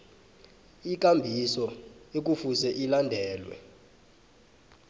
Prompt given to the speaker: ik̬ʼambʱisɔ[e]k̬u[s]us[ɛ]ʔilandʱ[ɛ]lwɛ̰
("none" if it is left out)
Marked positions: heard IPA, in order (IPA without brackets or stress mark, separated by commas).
e, f, ɛ, ɛː